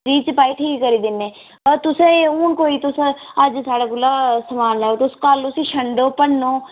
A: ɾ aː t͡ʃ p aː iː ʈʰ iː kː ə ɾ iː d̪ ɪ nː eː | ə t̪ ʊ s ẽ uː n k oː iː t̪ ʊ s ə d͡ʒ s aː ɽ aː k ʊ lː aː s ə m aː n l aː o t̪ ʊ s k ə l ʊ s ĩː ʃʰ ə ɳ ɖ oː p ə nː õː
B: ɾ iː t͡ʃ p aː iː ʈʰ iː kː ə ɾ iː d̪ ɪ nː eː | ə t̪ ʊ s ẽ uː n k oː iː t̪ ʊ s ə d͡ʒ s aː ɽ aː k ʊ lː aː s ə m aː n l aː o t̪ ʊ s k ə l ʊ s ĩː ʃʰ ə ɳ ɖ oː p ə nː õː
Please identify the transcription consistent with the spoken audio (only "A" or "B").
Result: B